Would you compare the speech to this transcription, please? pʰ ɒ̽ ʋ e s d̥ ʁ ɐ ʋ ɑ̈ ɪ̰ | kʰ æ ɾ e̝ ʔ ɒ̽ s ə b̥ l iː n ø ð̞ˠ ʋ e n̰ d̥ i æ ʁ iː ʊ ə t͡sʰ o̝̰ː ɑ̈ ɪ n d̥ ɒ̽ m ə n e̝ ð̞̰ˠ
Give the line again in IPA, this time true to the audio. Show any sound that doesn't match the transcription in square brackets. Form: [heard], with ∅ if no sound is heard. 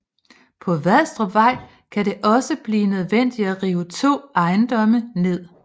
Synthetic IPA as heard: pʰ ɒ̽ ʋ [æ] s d̥ ʁ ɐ ʋ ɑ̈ ɪ̰ | kʰ æ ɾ e̝ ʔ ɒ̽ s ə b̥ l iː n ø ð̞ˠ ʋ e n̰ d̥ i æ ʁ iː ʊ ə t͡sʰ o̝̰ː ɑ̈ ɪ n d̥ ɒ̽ m ə n e̝ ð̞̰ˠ